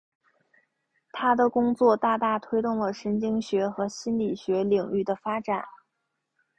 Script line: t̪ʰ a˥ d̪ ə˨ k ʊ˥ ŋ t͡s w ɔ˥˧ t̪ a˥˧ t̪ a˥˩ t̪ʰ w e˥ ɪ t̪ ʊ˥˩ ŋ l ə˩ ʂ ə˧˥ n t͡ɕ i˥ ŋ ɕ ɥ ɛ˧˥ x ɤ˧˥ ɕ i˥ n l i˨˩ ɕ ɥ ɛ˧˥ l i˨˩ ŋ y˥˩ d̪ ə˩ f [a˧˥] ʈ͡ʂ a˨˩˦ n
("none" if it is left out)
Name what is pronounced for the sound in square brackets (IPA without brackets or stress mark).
a˥